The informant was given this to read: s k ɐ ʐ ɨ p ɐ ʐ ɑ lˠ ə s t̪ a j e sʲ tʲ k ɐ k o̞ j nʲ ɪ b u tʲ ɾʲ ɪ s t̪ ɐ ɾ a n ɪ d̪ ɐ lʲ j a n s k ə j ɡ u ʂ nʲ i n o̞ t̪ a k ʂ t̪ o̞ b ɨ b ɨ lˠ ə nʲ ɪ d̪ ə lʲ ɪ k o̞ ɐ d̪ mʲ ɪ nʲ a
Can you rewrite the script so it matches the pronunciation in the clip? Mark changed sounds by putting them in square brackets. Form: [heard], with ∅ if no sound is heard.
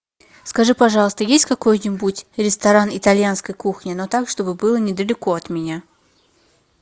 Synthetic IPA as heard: s k ɐ ʐ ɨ p ɐ ʐ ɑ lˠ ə s t̪ [ə] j e sʲ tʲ k ɐ k o̞ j nʲ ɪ b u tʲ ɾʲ ɪ s t̪ ɐ ɾ a n ɪ [t̪] ɐ lʲ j a n s k ə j [k] u [x] nʲ [ɪ] n o̞ t̪ a k ʂ t̪ o̞ b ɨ b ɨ lˠ ə nʲ ɪ d̪ ə lʲ ɪ k o̞ ɐ [t̪] mʲ ɪ nʲ a

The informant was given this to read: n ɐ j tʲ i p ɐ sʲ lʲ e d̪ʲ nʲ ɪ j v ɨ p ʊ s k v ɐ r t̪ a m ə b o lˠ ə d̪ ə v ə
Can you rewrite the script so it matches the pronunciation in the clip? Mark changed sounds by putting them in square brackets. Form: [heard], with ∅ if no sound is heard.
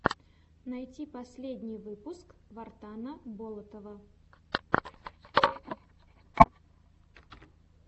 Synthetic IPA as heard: n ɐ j tʲ i p ɐ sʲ lʲ e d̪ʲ nʲ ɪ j v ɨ p ʊ s k v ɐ r t̪ a [n] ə b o lˠ ə [t̪] ə v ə

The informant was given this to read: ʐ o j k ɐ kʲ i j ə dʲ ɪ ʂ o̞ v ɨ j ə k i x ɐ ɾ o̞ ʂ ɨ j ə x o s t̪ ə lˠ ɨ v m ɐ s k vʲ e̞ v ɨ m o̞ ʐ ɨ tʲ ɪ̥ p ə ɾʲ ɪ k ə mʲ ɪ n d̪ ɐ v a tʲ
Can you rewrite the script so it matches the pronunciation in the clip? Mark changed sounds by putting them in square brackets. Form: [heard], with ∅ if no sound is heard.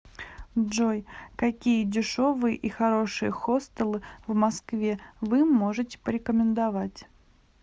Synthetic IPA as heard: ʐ o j k ɐ kʲ i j ə dʲ ɪ ʂ o̞ v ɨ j ə [ʔ] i x ɐ ɾ o̞ ʂ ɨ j ə x o s t̪ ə lˠ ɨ v m ɐ s k vʲ e̞ v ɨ m o̞ ʐ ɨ tʲ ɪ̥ p ə ɾʲ ɪ k ə mʲ ɪ n d̪ ɐ v a tʲ

